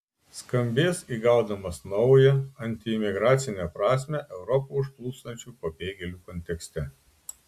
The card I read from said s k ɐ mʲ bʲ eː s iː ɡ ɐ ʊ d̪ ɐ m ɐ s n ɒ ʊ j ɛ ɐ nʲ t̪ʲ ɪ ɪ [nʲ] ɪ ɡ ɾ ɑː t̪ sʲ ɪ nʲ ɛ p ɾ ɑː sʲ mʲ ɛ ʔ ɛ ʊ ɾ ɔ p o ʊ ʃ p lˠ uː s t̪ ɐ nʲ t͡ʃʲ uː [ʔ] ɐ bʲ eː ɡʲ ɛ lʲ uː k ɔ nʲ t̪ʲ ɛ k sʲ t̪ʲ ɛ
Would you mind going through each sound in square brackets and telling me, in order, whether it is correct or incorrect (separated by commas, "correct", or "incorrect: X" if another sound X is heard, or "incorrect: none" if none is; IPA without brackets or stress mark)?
incorrect: mʲ, incorrect: p